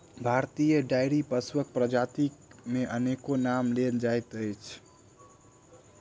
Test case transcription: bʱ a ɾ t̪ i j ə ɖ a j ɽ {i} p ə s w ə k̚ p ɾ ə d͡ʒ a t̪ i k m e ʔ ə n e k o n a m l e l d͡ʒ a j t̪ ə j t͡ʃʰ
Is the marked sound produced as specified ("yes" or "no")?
yes